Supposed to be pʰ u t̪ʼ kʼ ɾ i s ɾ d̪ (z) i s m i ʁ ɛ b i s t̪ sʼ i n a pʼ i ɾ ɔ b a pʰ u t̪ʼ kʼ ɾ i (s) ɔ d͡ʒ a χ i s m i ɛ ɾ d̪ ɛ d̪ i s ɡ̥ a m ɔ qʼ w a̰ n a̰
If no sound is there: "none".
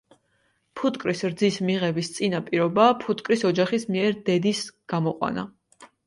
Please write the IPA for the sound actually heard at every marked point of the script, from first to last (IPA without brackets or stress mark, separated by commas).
z, s